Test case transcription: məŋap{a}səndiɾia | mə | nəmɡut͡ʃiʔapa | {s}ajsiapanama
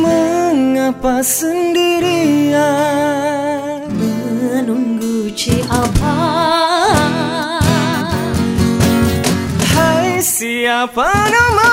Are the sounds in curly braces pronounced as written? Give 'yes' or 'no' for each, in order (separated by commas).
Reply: yes, no